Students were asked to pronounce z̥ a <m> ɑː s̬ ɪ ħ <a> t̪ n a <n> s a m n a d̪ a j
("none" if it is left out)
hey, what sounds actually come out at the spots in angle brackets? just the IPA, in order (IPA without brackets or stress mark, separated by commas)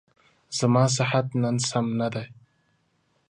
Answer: m, a, n